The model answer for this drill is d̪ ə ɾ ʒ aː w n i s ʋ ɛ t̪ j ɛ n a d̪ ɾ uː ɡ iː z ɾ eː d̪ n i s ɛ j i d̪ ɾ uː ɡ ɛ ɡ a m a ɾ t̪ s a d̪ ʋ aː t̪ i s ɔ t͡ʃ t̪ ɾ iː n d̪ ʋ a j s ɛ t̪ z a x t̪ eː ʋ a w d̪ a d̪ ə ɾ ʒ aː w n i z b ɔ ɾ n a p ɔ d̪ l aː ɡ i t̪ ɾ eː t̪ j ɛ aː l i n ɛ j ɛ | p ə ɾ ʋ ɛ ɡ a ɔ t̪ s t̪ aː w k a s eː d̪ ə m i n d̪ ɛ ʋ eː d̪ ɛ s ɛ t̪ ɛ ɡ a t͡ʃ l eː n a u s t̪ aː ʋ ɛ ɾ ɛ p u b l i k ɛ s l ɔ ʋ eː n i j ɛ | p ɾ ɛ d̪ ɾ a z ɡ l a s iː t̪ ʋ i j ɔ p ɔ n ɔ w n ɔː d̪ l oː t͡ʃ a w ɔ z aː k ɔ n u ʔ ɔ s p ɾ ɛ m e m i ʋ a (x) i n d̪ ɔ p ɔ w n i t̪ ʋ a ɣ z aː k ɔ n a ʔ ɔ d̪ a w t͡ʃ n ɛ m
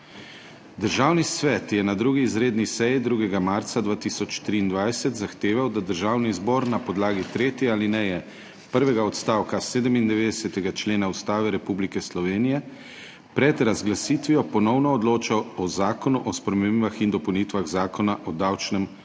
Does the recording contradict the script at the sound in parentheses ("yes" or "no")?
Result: no